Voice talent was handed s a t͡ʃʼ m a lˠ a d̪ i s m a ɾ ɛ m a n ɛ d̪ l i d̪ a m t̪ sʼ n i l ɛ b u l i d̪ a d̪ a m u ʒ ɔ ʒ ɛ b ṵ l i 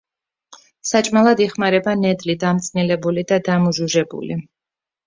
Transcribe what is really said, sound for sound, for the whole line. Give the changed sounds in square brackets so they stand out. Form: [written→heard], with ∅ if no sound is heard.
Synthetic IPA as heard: s a t͡ʃʼ m a lˠ a d̪ i [s→χ] m a ɾ ɛ [m→b] a n ɛ d̪ l i d̪ a m t̪ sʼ n i l ɛ b u l i d̪ a d̪ a m u ʒ [ɔ→u] ʒ ɛ b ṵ l i